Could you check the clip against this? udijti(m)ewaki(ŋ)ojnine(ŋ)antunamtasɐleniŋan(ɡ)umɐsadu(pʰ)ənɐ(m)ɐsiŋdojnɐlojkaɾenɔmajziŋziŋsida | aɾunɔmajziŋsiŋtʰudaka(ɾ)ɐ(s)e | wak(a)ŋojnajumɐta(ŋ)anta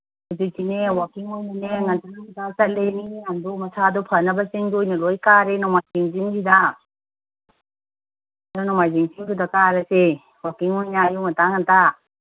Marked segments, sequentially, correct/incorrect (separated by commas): incorrect, correct, correct, incorrect, correct, incorrect, correct, correct, incorrect, correct